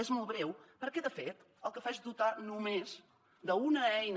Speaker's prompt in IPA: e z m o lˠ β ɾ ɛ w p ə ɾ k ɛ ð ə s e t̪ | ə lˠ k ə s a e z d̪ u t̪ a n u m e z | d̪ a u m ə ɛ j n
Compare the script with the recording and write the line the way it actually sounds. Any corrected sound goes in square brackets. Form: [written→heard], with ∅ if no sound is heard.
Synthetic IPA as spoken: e z m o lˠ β ɾ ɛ w p ə ɾ k ɛ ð ə [s→f] e t̪ | ə lˠ k ə [s→f] a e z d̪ u t̪ a n u m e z | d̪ [a→ə] u [m→n] ə ɛ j n